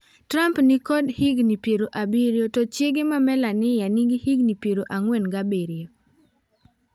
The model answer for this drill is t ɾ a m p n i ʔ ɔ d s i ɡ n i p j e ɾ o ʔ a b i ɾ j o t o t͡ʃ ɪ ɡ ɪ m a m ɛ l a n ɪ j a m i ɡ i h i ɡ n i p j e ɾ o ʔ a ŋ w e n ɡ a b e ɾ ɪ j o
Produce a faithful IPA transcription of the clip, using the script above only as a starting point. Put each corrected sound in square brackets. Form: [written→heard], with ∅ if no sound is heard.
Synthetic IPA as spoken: t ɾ a m p n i [ʔ→k] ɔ d [s→h] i ɡ n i p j e ɾ o ʔ a b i ɾ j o t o t͡ʃ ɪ ɡ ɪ m a m ɛ l a n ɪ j a [m→n] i ɡ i h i ɡ n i p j e ɾ o ʔ a ŋ w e n ɡ a b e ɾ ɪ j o